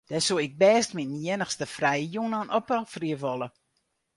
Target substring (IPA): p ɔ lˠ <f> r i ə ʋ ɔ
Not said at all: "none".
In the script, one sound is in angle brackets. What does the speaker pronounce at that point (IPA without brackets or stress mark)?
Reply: f